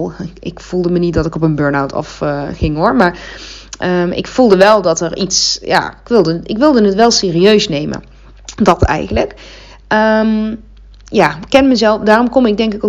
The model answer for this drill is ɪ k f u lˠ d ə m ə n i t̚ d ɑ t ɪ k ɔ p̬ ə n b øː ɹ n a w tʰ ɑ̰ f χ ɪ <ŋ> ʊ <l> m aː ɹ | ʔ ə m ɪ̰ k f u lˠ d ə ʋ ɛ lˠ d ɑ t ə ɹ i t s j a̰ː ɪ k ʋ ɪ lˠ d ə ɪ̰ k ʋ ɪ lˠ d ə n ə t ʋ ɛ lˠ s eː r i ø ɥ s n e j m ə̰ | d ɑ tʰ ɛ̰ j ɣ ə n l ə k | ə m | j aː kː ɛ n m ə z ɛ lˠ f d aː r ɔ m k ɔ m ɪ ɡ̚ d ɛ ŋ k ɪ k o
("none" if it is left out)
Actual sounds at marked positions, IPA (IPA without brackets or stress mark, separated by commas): ŋ, ɹ